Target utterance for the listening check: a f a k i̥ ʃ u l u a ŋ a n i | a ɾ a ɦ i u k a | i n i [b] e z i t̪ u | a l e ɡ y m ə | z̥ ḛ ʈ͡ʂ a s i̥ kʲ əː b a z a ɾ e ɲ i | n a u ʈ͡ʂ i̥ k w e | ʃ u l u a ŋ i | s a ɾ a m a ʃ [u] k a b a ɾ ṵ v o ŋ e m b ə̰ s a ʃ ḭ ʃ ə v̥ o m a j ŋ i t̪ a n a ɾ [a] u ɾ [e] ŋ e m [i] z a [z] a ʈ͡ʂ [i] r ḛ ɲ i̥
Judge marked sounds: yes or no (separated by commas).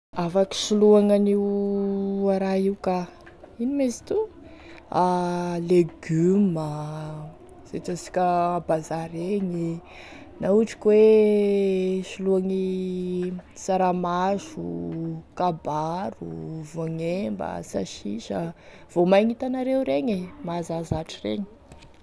no, yes, no, yes, no, yes, yes